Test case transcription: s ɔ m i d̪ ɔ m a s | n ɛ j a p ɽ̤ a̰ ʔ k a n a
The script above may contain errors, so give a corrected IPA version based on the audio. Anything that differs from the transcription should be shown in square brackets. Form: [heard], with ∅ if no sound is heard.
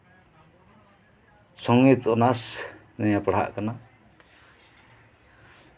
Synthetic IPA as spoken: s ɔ [ŋ] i [t̪] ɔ [n] a s | n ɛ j a p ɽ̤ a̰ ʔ k a n a

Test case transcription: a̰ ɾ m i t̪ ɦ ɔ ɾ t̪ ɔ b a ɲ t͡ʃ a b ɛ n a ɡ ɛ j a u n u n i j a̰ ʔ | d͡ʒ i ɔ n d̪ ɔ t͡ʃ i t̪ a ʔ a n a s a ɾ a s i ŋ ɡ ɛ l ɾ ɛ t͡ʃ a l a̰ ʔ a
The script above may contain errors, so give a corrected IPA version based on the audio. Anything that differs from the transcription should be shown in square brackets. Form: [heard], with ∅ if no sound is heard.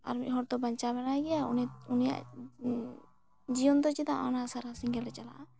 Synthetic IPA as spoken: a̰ ɾ m i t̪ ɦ ɔ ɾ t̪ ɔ b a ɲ t͡ʃ a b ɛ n a ɡ ɛ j a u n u n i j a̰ ʔ | d͡ʒ i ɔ n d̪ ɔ t͡ʃ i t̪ a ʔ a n a s a ɾ a s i ŋ ɡ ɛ l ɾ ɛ t͡ʃ a l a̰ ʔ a

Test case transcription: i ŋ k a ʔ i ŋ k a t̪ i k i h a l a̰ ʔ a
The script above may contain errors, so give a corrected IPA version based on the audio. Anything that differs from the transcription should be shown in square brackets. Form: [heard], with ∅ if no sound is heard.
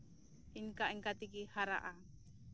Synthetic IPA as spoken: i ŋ k a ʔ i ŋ k a t̪ i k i h a [ɾ] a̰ ʔ a

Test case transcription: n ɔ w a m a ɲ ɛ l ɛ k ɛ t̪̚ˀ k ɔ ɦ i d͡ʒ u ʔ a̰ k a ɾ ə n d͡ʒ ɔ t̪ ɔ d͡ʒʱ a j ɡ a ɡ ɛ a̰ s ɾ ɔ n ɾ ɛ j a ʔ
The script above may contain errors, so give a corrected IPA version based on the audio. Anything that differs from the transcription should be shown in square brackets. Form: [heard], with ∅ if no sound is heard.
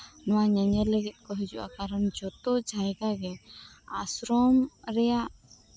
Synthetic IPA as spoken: n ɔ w a [ɲ] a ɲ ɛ l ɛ [ɡ] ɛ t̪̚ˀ k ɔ ɦ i d͡ʒ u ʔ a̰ k a ɾ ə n d͡ʒ ɔ t̪ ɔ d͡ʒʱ a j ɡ a ɡ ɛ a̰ s ɾ ɔ [m] ɾ ɛ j a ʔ

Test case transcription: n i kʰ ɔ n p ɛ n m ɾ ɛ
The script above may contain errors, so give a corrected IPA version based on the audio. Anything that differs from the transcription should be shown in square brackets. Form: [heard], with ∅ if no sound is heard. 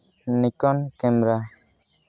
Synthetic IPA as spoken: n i [k] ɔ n [k] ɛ [∅] m ɾ [a]

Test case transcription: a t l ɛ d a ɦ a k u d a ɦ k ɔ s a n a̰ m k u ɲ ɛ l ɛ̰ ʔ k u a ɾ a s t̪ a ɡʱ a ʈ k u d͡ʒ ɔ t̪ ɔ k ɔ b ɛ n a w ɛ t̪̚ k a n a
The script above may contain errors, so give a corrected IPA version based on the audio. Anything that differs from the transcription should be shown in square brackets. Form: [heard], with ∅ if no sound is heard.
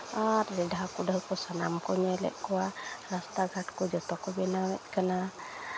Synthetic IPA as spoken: a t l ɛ d a ɦ a k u d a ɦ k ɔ s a n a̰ m k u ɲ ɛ l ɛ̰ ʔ k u a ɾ a s t̪ a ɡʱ a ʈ k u d͡ʒ ɔ t̪ ɔ k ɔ b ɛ n a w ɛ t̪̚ k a n a

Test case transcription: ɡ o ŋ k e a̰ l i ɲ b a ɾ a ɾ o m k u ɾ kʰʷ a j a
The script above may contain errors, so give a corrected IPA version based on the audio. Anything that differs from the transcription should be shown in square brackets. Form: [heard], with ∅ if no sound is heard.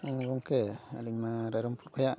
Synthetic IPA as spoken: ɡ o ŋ k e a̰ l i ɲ [m] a ɾ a ɾ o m [p] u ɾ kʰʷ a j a

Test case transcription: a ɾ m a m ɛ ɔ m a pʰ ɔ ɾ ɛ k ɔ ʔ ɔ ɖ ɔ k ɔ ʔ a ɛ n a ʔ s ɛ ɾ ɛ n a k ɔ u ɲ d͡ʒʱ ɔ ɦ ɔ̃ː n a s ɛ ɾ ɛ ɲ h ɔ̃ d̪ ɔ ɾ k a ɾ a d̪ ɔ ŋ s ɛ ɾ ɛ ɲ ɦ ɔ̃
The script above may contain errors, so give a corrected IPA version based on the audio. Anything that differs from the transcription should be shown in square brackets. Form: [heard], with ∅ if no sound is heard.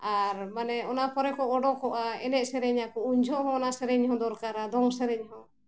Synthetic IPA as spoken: a ɾ m a [n] ɛ ɔ [n] a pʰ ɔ ɾ ɛ k ɔ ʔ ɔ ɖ ɔ k ɔ ʔ a ɛ n [ɛ] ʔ s ɛ ɾ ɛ [ɲ] a k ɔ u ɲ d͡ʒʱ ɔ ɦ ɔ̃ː n a s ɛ ɾ ɛ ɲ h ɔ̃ d̪ ɔ ɾ k a ɾ a d̪ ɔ ŋ s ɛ ɾ ɛ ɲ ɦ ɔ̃

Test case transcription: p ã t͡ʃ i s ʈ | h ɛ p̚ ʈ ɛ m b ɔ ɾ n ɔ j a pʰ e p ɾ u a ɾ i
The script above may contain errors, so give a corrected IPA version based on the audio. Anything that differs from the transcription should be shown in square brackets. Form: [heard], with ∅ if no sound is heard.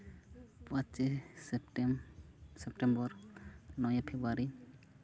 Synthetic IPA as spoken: p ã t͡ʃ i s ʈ | [s] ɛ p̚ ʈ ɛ m b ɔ ɾ n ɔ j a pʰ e [b] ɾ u a ɾ i

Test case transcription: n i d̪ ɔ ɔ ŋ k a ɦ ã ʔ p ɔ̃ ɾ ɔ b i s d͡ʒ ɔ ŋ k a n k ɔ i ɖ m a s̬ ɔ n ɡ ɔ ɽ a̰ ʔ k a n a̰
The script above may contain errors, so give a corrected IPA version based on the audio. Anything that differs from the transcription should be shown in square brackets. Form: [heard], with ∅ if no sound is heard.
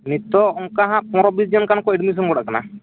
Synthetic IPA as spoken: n i [t̪] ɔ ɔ ŋ k a ɦ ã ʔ p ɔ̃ ɾ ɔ b i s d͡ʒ ɔ [n] k a n k ɔ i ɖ m [i] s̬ ɔ n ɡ ɔ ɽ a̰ ʔ k a n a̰

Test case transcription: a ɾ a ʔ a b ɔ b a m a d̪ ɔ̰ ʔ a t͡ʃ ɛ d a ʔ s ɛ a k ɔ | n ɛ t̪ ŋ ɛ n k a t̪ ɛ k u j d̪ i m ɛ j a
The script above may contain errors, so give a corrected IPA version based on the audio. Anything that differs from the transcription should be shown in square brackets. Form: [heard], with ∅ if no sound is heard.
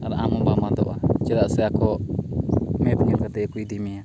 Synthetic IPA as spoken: a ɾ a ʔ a [m] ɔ b a m a d̪ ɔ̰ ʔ a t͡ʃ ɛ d a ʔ s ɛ a k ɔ | [m] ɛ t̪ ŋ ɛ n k a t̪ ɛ k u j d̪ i m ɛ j a

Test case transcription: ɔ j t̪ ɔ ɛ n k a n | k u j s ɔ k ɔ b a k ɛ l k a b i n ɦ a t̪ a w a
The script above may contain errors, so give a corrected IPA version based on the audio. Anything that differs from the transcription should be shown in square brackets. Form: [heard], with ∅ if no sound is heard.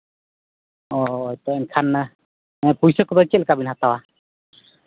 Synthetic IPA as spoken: ɔ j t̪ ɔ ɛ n [kʰ] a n | [p] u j s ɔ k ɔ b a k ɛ l k a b i n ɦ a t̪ a w a

